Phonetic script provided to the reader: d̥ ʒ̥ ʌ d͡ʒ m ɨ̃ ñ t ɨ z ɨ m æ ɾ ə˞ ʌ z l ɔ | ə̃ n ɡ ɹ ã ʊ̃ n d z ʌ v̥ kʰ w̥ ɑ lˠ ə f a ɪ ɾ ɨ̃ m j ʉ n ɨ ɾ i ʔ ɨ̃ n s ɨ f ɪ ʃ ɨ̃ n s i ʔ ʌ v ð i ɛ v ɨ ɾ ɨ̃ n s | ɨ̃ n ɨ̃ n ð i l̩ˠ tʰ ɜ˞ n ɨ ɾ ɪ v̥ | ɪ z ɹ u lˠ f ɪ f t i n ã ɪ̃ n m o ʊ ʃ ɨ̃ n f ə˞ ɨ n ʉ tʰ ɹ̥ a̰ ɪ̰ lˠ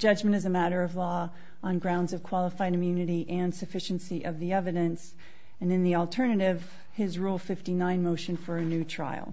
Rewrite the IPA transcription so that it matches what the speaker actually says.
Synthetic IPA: d̥ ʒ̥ ʌ d͡ʒ m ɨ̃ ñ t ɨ z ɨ m æ ɾ ə˞ ʌ v l ɔ | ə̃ n ɡ ɹ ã ʊ̃ n d z ʌ v̥ kʰ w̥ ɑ lˠ ə f a ɪ ɾ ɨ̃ m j ʉ n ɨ ɾ i ʔ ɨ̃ n s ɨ f ɪ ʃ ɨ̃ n s i ʔ ʌ v ð i ɛ v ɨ ɾ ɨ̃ n s | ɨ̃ n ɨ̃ n ð i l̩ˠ tʰ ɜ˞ n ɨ ɾ ɪ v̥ | ɪ z ɹ u lˠ f ɪ f t i n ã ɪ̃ n m o ʊ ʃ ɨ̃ n f ə˞ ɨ n ʉ tʰ ɹ̥ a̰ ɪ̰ lˠ